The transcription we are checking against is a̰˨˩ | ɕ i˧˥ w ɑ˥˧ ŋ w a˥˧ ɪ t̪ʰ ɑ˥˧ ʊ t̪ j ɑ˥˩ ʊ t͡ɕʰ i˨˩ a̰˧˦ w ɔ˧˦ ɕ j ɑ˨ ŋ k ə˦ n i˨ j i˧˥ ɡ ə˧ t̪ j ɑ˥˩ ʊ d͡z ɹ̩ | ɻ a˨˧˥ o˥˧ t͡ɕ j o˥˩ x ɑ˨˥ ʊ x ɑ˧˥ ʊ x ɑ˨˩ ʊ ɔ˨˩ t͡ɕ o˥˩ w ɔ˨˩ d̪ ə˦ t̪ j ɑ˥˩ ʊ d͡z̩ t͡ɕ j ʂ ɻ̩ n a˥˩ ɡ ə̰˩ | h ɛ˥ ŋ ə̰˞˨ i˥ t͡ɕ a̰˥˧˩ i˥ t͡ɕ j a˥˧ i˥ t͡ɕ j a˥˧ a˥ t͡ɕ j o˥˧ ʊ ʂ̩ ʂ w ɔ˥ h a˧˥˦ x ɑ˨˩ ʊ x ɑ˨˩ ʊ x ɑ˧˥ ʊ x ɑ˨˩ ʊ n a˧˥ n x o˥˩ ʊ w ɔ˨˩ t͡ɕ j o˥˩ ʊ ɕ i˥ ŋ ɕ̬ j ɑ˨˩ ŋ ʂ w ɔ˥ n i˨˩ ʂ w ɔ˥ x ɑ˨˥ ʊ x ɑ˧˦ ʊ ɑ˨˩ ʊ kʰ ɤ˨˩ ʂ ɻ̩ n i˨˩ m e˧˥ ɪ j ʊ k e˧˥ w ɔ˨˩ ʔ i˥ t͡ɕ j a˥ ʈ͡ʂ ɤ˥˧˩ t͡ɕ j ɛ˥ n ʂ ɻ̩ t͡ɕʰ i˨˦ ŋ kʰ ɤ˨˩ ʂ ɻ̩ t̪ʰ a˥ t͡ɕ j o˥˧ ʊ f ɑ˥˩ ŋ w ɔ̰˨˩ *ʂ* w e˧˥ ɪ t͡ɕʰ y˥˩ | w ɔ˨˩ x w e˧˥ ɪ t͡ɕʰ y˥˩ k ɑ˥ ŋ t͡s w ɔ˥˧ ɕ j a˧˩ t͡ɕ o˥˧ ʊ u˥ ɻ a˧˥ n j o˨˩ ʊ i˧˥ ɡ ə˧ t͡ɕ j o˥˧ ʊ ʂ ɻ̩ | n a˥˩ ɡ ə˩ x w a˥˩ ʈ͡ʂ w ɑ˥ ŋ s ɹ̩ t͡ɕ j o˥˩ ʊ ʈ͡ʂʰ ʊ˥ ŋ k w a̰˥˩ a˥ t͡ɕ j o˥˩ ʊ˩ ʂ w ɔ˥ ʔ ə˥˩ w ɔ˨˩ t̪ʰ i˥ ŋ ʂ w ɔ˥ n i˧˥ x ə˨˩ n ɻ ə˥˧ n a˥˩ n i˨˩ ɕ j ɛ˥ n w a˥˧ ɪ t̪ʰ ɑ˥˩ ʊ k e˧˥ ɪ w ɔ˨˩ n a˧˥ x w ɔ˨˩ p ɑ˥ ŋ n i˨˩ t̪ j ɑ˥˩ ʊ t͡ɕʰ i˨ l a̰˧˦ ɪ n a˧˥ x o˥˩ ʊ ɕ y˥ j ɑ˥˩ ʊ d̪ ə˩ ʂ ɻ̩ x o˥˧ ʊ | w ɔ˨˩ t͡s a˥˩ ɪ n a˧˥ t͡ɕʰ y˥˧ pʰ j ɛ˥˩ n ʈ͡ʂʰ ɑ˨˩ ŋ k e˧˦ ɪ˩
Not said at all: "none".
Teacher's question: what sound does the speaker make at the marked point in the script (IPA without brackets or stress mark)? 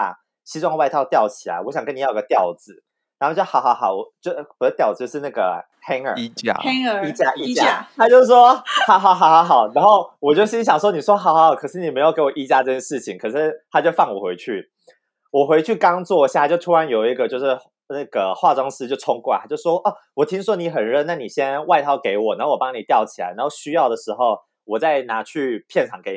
x